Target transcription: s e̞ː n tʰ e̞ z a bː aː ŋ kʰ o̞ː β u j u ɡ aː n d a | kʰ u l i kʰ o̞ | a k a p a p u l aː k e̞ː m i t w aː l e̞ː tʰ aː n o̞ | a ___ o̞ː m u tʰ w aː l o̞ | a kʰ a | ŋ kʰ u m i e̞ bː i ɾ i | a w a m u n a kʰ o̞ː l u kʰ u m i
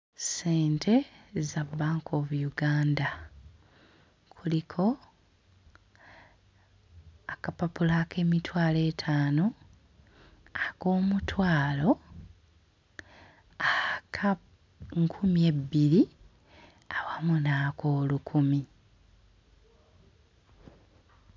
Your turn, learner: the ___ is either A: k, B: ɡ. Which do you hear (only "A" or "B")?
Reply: A